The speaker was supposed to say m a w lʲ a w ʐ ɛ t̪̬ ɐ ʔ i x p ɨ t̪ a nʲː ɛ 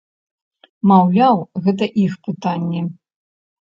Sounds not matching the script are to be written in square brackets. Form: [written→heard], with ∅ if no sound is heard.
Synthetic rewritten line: m a w lʲ a w [ʐ→ɣ] ɛ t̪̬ ɐ ʔ i x p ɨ t̪ a nʲː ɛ

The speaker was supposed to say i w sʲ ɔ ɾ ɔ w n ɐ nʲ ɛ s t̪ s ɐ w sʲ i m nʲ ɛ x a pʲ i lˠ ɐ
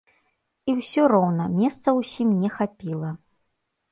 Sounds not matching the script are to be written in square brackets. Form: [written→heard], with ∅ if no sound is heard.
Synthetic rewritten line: i w sʲ ɔ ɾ ɔ w n ɐ [nʲ→mʲ] ɛ s t̪ s ɐ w sʲ i m nʲ ɛ x a pʲ i lˠ ɐ

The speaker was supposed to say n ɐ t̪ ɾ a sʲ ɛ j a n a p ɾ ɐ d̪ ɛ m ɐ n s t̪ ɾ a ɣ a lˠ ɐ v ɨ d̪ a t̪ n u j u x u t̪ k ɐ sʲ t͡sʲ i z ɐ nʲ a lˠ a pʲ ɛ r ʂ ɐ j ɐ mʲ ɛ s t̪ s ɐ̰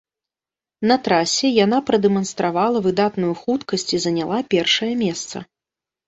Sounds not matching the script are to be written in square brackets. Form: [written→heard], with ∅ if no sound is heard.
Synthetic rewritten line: n ɐ t̪ ɾ a sʲ ɛ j a n a p ɾ ɐ d̪ ɛ m ɐ n s t̪ ɾ a [ɣ→v] a lˠ ɐ v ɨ d̪ a t̪ n u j u x u t̪ k ɐ sʲ t͡sʲ i z ɐ nʲ a lˠ a pʲ ɛ r ʂ ɐ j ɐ mʲ ɛ s t̪ s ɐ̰

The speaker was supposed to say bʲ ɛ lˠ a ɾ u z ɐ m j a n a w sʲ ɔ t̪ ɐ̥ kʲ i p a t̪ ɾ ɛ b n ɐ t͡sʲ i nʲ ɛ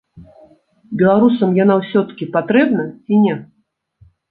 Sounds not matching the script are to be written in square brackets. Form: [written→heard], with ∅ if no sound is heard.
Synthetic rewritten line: bʲ ɛ lˠ a ɾ u [z→s] ɐ m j a n a w sʲ ɔ t̪ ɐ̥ kʲ i p a t̪ ɾ ɛ b n ɐ t͡sʲ i nʲ ɛ

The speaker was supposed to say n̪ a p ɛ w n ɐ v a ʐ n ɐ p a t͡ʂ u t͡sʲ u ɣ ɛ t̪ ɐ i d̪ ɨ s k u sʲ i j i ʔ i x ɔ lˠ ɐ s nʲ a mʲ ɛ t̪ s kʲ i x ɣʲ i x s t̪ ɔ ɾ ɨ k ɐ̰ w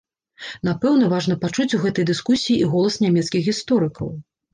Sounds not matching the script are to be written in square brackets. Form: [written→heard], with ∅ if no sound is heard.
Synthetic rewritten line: n̪ a p ɛ w n ɐ v a ʐ n ɐ p a t͡ʂ u t͡sʲ u ɣ ɛ t̪ ɐ [i→j] d̪ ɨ s k u sʲ i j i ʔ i [x→ɣ] ɔ lˠ ɐ s nʲ a mʲ ɛ t̪ s kʲ i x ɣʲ i [x→∅] s t̪ ɔ ɾ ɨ k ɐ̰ w

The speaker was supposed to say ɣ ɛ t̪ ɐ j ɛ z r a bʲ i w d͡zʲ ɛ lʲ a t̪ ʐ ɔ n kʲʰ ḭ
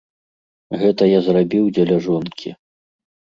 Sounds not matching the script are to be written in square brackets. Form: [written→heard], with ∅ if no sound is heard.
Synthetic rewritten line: ɣ ɛ t̪ ɐ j [ɛ→a] z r a bʲ i w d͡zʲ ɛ lʲ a [t̪→∅] ʐ ɔ n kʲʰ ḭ

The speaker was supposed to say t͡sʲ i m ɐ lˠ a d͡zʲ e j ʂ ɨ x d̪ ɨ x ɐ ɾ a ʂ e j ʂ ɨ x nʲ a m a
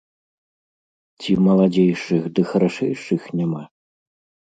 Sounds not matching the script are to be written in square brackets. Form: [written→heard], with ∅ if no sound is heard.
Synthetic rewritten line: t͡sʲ i m ɐ lˠ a d͡zʲ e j ʂ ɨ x d̪ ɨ x ɐ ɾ a ʂ [e→ɛ] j ʂ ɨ x nʲ a m a

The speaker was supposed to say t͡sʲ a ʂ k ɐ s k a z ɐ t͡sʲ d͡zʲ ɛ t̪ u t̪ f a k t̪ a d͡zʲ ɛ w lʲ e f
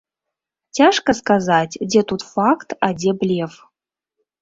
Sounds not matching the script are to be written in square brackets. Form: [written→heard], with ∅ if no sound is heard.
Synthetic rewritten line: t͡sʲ a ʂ k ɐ s k a z [ɐ→a] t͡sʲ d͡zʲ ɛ t̪ u t̪ f a k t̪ a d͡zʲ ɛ [w→b] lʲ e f

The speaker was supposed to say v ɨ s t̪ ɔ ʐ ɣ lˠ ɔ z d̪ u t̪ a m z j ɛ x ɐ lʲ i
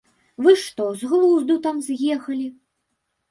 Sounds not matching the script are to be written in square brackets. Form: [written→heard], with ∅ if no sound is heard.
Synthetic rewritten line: v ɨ [s→ʂ] t̪ ɔ [ʐ→z] ɣ lˠ [ɔ→u] z d̪ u t̪ a m z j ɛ x ɐ lʲ i

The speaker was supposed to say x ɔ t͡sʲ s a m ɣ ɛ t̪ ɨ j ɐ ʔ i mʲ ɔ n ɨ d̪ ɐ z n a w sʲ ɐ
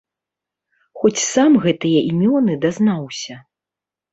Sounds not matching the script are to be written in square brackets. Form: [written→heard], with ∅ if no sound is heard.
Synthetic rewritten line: x ɔ t͡sʲ s a m ɣ ɛ t̪ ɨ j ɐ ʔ i mʲ ɔ n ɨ d̪ [ɐ→a] z n a w sʲ ɐ

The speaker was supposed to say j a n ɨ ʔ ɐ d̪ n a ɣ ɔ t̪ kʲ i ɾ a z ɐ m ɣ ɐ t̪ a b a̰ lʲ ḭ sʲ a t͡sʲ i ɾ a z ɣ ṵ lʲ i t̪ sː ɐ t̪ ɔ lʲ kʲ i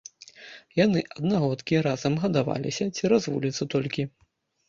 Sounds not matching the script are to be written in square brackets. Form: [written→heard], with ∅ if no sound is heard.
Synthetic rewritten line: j a n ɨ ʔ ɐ d̪ n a ɣ ɔ t̪ kʲ i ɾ a z ɐ m ɣ ɐ [t̪→d̪] a [b→v] a̰ lʲ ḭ sʲ [a→ɐ] t͡sʲ i ɾ a z [ɣ→v] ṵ lʲ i t̪ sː ɐ t̪ ɔ lʲ kʲ i

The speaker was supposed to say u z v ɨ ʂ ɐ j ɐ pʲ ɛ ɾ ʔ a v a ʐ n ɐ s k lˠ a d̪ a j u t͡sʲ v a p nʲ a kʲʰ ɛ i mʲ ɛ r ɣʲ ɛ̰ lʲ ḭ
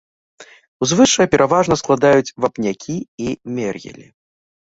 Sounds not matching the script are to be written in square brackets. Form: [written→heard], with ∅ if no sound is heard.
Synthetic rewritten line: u z v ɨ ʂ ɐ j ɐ pʲ ɛ ɾ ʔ a v a ʐ n ɐ s k lˠ a d̪ a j u t͡sʲ v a p nʲ a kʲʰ [ɛ→i] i mʲ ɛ r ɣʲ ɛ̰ lʲ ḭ

